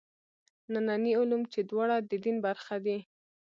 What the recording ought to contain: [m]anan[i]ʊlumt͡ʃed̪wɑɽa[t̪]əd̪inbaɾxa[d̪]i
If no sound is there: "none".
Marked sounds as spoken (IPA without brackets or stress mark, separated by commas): n, i, d̪, d̪